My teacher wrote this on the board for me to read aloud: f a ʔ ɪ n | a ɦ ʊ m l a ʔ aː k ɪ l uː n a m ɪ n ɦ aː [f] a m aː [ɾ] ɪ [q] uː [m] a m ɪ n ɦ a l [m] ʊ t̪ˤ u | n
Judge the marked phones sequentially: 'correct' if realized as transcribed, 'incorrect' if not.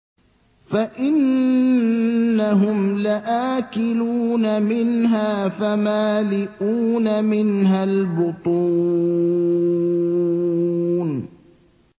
correct, incorrect, incorrect, incorrect, incorrect

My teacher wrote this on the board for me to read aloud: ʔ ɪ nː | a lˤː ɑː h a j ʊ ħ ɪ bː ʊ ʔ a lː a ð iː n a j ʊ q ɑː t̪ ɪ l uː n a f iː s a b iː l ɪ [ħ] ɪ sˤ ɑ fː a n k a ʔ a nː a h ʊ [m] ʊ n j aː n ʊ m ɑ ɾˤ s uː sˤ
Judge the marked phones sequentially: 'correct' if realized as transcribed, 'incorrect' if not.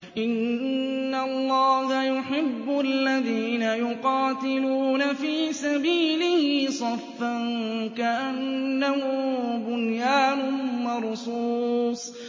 incorrect, incorrect

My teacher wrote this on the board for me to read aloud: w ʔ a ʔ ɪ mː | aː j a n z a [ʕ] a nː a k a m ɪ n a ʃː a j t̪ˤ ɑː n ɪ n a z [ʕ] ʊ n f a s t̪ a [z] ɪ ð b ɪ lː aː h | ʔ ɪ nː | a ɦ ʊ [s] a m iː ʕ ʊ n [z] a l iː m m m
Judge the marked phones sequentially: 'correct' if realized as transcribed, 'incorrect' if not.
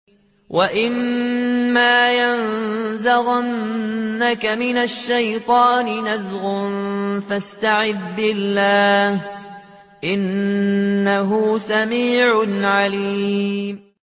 incorrect, incorrect, incorrect, correct, incorrect

